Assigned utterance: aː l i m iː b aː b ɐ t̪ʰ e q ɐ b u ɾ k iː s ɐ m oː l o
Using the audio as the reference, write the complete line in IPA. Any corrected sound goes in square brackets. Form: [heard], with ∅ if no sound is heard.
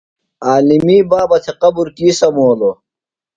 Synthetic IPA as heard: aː l i m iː b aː b ɐ t̪ʰ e q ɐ b u ɾ k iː s ɐ m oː l o